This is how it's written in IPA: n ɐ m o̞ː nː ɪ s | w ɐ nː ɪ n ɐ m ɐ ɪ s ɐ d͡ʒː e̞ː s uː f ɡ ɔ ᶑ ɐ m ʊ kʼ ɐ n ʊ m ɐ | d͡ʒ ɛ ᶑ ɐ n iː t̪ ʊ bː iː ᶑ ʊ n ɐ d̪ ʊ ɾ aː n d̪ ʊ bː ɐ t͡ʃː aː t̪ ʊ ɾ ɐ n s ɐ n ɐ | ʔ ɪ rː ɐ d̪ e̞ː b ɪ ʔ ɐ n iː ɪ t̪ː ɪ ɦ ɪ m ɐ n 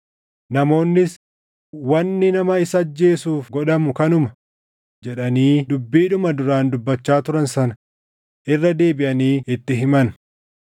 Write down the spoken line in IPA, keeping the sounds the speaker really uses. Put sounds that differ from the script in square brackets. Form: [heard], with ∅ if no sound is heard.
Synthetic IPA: n ɐ m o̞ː nː ɪ s | w ɐ nː ɪ n ɐ m ɐ ɪ s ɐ d͡ʒː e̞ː s uː f ɡ ɔ ᶑ ɐ m ʊ [k] ɐ n ʊ m ɐ | d͡ʒ ɛ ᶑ ɐ n iː [d̪] ʊ bː iː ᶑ ʊ [m] ɐ d̪ ʊ ɾ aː n d̪ ʊ bː ɐ t͡ʃː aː t̪ ʊ ɾ ɐ n s ɐ n ɐ | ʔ ɪ rː ɐ d̪ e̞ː b ɪ ʔ ɐ n iː ɪ t̪ː ɪ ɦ ɪ m ɐ n

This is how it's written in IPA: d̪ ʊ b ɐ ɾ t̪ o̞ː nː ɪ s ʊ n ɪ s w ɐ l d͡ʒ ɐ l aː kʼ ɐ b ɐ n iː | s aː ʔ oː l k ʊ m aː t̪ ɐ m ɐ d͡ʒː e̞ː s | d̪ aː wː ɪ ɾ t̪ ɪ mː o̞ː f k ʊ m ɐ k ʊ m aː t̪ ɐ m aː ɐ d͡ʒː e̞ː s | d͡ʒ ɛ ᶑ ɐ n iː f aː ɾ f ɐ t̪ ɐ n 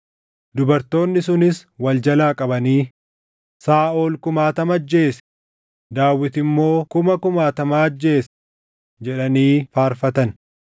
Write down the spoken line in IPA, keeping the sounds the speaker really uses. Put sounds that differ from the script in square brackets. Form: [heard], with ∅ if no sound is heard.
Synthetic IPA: d̪ ʊ b ɐ ɾ t̪ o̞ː nː ɪ s ʊ n ɪ s w ɐ l d͡ʒ ɐ l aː kʼ ɐ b ɐ n iː | s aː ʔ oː l k ʊ m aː t̪ ɐ m ɐ d͡ʒː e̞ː s | d̪ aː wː ɪ [∅] t̪ ɪ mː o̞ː [∅] k ʊ m ɐ k ʊ m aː t̪ ɐ m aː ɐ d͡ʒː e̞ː s | d͡ʒ ɛ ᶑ ɐ n iː f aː ɾ f ɐ t̪ ɐ n

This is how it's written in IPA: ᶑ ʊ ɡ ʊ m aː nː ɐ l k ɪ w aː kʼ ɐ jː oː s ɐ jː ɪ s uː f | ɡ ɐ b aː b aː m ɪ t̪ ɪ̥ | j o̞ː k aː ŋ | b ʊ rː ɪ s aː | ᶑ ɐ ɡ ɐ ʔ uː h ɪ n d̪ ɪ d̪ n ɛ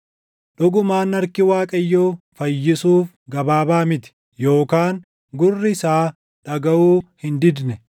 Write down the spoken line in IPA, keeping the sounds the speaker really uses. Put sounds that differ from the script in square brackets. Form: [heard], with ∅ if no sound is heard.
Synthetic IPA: ᶑ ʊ ɡ ʊ m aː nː ɐ [ɾ] k ɪ w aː kʼ ɐ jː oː [f] ɐ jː ɪ s uː f | ɡ ɐ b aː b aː m ɪ t̪ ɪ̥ | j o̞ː k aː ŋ | [ɡ] ʊ rː ɪ s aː | ᶑ ɐ ɡ ɐ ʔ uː h ɪ n d̪ ɪ d̪ n ɛ

